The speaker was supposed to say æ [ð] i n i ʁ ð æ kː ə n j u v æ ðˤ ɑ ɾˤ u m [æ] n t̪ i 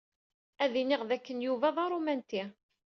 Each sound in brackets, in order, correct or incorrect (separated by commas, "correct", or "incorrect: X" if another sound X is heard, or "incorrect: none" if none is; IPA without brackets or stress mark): correct, correct